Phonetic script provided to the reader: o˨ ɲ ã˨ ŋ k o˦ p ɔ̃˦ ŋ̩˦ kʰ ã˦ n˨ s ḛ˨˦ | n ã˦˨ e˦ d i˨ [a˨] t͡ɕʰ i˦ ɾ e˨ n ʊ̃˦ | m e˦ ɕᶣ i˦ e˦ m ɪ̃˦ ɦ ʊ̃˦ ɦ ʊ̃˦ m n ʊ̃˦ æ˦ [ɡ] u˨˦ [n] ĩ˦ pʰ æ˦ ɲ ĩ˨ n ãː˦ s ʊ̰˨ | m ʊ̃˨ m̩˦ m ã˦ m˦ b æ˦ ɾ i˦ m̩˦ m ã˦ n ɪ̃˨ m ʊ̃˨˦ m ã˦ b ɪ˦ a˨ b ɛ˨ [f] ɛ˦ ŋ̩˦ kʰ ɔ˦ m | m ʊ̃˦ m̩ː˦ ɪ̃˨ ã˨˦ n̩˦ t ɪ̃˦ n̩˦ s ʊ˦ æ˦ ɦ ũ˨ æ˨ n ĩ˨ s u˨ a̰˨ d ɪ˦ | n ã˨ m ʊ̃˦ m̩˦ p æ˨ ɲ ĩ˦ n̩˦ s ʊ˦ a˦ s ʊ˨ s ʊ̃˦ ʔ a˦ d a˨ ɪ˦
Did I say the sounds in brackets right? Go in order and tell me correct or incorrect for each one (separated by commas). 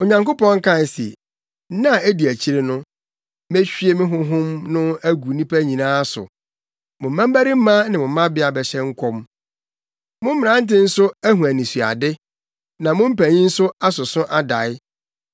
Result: incorrect, correct, correct, incorrect